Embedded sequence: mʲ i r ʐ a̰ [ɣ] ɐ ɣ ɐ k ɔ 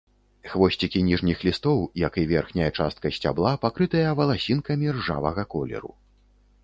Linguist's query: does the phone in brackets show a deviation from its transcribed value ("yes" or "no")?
yes